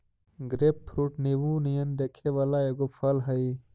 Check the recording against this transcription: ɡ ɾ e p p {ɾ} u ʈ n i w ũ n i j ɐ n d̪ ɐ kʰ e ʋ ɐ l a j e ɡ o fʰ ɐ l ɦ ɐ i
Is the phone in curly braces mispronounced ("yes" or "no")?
no